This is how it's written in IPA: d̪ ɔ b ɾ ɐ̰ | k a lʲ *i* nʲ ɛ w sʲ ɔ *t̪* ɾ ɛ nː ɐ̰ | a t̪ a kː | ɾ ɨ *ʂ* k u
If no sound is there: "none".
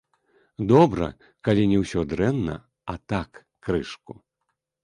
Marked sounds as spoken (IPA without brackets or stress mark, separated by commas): i, d̪, ʂ